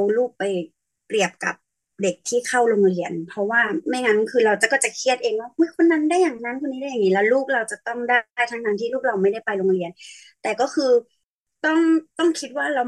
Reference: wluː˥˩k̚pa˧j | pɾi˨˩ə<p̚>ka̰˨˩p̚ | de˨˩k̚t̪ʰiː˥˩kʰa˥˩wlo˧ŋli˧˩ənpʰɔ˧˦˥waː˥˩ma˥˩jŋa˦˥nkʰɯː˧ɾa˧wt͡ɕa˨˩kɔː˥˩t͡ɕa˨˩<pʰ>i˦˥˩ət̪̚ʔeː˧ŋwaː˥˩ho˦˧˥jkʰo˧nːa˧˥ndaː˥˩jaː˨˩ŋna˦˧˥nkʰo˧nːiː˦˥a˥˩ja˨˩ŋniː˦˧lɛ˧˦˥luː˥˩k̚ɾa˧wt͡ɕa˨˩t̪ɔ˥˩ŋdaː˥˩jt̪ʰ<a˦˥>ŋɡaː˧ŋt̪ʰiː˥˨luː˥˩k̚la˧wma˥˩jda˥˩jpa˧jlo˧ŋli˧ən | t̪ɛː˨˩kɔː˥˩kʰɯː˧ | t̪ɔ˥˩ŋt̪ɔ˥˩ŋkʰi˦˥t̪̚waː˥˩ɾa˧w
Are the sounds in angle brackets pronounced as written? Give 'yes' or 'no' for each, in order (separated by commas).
yes, no, yes